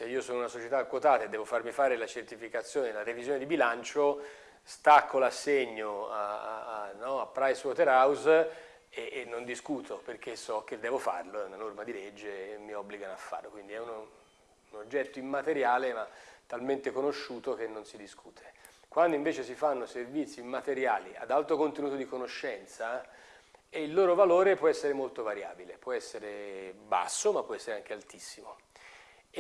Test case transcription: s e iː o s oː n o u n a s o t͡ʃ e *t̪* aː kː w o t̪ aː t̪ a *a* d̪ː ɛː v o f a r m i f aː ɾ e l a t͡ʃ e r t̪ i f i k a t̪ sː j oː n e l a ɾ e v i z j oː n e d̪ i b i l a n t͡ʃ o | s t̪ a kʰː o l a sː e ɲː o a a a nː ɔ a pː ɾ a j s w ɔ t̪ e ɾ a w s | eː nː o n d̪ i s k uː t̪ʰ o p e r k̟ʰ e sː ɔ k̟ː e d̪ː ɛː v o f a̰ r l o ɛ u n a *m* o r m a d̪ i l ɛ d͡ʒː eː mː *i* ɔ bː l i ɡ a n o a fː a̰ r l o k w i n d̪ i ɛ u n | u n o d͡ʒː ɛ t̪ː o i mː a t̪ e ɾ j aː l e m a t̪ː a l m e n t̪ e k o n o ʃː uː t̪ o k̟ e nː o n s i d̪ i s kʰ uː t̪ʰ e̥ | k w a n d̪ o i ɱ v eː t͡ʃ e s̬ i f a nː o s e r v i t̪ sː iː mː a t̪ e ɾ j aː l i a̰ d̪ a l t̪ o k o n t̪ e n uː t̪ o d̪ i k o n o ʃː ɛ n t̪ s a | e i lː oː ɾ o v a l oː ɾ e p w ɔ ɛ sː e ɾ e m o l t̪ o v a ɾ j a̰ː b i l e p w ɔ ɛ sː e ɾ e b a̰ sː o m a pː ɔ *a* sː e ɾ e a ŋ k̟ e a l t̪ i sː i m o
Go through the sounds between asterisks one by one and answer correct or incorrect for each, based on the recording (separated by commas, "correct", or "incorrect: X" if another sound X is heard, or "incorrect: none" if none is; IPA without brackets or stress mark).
correct, incorrect: e, incorrect: n, correct, incorrect: ɛ